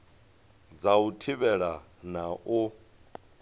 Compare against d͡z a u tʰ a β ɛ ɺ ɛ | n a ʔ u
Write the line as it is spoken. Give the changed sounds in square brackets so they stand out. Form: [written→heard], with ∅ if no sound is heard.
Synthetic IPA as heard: d͡z a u tʰ [a→i] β ɛ ɺ [ɛ→a] | n a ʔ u